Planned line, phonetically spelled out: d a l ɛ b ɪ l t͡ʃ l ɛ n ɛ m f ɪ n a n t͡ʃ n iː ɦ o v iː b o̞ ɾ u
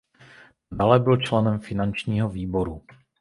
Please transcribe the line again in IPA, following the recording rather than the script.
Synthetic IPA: d a l ɛ b ɪ l t͡ʃ l ɛ n ɛ m f ɪ n a n t͡ʃ ɲ iː ɦ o v iː b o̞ ɾ u